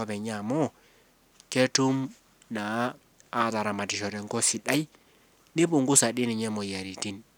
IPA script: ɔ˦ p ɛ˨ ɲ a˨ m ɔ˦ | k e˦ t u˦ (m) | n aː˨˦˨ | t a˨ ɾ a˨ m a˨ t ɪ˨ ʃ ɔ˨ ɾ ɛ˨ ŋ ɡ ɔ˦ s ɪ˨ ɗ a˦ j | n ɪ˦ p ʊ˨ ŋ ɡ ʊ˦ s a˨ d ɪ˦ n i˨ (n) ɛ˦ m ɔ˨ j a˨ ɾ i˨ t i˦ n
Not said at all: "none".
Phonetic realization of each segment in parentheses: m, ɲ

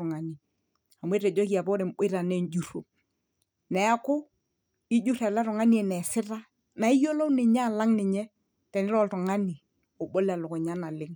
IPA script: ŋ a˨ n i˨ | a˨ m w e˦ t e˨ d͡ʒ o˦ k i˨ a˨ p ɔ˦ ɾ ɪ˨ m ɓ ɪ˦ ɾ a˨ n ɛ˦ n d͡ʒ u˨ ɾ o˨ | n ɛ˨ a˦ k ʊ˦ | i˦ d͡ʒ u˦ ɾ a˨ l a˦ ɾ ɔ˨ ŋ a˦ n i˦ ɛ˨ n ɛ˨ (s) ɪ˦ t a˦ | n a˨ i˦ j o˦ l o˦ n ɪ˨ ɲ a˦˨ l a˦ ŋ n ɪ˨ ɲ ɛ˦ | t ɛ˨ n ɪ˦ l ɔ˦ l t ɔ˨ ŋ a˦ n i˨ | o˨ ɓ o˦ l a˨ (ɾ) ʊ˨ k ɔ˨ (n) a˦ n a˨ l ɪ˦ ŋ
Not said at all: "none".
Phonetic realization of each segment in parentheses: s, l, ɲ

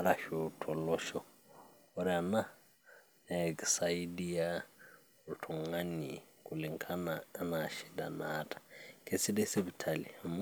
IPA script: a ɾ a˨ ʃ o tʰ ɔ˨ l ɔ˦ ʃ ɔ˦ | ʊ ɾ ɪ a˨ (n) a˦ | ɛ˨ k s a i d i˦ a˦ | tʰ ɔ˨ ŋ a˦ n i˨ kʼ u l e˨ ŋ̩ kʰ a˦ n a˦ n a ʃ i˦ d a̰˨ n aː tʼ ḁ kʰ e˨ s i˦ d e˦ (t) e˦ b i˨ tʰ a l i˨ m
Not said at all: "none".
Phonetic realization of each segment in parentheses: n, s

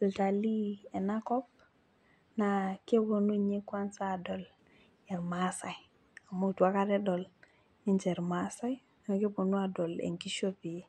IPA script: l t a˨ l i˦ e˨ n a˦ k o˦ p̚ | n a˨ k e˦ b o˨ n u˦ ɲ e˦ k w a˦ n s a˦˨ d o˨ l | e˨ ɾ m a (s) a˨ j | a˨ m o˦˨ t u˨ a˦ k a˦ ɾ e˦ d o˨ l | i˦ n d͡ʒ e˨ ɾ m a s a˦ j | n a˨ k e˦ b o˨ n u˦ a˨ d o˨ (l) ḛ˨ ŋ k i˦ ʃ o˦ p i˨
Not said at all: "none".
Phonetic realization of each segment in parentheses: s, l

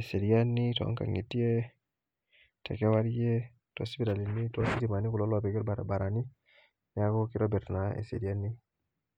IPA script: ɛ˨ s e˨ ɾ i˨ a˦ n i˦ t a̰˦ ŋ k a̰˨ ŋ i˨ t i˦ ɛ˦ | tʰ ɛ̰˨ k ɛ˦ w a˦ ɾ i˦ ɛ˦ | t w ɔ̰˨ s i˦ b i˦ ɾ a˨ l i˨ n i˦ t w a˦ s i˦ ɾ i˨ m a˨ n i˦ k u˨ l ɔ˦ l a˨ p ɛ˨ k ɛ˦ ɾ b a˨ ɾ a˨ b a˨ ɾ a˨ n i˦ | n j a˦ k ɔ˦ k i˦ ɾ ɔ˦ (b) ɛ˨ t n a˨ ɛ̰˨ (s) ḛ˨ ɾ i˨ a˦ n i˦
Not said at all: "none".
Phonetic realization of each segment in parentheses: b, s

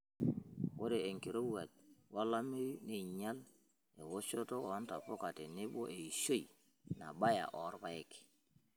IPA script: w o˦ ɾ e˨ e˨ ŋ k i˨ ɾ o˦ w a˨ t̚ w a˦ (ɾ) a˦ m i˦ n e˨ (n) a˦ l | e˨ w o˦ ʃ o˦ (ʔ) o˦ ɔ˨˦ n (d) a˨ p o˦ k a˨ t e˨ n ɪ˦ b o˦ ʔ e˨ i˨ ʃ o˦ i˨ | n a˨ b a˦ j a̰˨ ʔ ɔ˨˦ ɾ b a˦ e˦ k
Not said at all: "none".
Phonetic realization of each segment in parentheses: l, ɲ, t, t

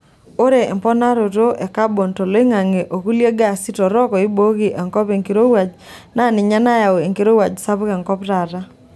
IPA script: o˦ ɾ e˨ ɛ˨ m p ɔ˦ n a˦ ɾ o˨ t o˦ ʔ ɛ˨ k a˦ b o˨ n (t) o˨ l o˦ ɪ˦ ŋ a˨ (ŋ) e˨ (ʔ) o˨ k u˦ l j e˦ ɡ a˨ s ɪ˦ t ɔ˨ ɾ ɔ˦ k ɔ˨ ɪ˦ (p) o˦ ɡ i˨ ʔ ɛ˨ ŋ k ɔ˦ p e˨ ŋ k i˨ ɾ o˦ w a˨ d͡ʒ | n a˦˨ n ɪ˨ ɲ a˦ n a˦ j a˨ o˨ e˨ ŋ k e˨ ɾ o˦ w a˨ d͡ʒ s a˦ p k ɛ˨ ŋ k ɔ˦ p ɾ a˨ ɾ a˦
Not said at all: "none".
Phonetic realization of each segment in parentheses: t, ŋ, ʔ, b

